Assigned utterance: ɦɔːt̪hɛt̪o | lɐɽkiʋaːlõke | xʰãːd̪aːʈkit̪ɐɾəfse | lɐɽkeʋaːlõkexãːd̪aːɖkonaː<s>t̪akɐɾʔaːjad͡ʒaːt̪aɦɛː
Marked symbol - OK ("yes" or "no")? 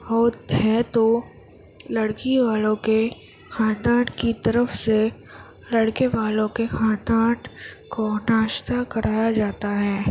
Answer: no